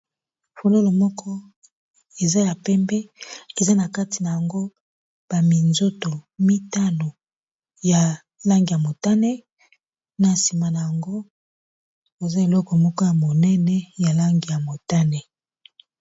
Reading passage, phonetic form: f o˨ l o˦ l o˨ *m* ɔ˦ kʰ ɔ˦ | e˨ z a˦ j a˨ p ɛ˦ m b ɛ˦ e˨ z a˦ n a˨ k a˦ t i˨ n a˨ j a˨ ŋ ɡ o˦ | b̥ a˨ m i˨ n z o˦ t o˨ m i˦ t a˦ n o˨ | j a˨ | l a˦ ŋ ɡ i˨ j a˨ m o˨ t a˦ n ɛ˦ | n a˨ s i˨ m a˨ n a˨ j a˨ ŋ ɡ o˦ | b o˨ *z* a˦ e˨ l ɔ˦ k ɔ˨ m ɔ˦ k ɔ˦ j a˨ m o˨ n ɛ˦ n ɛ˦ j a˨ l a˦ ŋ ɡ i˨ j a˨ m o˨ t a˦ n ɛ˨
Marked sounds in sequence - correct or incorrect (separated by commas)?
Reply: correct, correct